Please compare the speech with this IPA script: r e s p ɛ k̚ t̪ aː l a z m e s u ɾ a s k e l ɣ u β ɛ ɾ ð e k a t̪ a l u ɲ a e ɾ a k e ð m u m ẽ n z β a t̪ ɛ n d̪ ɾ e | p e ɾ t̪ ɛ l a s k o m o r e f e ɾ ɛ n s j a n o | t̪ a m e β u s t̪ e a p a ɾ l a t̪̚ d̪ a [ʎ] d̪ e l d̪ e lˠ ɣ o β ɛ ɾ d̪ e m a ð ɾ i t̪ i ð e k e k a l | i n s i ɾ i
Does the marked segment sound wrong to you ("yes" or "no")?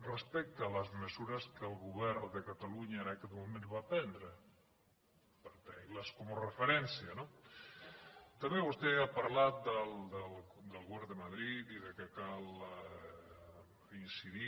yes